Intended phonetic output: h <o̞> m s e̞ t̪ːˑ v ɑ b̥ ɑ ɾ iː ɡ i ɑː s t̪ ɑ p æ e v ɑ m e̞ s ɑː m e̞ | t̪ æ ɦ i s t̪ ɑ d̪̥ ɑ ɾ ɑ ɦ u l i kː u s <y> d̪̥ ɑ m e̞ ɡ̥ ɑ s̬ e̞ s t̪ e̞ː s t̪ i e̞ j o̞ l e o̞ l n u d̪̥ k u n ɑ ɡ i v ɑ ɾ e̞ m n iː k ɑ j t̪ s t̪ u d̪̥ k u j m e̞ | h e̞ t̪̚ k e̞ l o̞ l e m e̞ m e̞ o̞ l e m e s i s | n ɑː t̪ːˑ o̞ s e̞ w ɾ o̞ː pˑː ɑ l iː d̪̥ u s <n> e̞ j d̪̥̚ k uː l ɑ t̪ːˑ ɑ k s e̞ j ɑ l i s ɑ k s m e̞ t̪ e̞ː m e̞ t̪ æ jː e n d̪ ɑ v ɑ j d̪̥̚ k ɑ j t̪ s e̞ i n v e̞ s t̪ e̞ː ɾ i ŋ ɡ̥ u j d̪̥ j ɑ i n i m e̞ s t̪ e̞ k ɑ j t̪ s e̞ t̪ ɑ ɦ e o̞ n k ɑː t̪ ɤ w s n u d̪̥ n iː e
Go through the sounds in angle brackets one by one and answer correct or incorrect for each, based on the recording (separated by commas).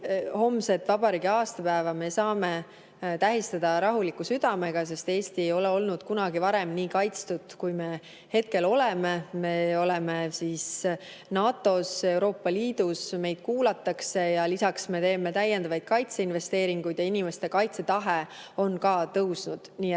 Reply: correct, correct, incorrect